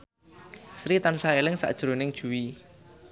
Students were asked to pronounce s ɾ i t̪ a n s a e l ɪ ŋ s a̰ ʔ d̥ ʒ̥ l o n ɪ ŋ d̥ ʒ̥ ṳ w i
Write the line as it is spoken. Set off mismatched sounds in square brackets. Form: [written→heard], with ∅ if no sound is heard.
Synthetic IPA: s ɾ i t̪ a n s a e l ɪ ŋ s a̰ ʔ d̥ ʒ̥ [l→ɾ] o n ɪ ŋ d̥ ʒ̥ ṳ w i